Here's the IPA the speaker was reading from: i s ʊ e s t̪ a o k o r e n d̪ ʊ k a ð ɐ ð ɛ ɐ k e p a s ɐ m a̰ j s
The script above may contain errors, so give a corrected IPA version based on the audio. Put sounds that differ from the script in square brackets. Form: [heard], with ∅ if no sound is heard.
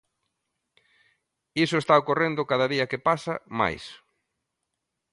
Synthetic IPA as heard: i s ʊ e s t̪ a o k o r e n d̪ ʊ k a ð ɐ ð [i] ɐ k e p a s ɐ m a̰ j s